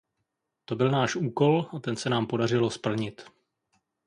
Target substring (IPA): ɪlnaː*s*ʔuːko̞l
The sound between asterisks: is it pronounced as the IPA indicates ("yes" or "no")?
no